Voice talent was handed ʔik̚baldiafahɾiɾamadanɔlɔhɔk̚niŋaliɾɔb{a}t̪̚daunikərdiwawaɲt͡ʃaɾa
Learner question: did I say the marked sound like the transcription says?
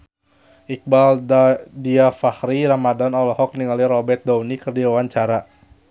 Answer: no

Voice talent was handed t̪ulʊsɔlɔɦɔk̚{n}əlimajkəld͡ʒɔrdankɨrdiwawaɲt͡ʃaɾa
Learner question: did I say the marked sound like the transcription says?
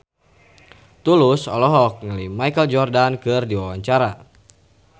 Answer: no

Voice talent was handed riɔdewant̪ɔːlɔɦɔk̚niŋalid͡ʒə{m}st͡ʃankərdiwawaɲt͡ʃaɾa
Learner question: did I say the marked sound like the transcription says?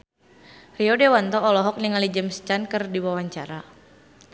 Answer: yes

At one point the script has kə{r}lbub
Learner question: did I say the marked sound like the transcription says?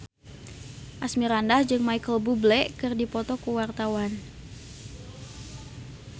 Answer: no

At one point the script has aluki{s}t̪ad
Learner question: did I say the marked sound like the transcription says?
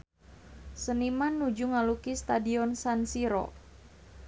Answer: yes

